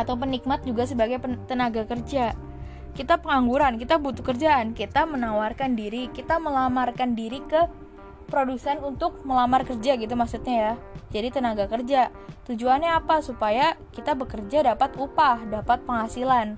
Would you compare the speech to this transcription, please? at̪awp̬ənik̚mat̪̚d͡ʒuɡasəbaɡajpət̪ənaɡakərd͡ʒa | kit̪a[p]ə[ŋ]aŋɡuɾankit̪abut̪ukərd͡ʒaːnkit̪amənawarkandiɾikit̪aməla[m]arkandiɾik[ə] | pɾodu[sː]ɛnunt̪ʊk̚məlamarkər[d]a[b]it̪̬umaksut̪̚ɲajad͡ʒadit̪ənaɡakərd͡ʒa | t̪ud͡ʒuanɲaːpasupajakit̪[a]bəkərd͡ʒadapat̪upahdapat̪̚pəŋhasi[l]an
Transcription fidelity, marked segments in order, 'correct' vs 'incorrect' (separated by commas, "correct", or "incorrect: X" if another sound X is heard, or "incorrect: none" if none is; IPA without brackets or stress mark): correct, correct, correct, correct, incorrect: s, incorrect: d͡ʒ, incorrect: ɡ, correct, correct